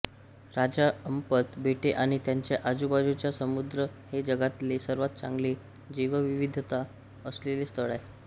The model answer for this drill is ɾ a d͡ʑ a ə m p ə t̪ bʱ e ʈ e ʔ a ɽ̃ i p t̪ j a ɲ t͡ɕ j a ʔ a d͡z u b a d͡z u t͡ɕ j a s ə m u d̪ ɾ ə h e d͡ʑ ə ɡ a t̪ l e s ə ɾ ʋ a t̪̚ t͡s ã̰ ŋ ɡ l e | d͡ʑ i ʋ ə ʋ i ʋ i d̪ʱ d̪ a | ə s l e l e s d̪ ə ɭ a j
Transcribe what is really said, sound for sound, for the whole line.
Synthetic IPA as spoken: ɾ a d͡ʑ a ə m p ə t̪ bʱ e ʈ e ʔ a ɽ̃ i t̪ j a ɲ t͡ɕ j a ʔ a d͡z u b a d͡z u t͡ɕ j a s ə m u d̪ ɾ ə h e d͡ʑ ə ɡ a t̪ l e s ə ɾ ʋ a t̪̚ t͡s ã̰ ŋ ɡ l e | d͡ʑ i ʋ ə ʋ i ʋ i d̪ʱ t̪ a | ə s l e l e s t̪ ə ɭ a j